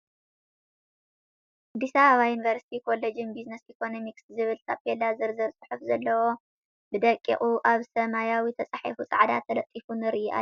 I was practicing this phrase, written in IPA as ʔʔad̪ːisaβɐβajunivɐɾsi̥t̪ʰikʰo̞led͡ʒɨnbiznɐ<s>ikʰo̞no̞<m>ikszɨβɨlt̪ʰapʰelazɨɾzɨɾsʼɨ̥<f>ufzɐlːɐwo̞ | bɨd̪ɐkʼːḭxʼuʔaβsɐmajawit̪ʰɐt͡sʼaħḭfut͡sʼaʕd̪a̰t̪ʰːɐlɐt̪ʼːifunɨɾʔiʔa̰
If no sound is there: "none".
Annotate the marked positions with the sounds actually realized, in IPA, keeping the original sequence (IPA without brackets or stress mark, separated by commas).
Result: s, m, ħ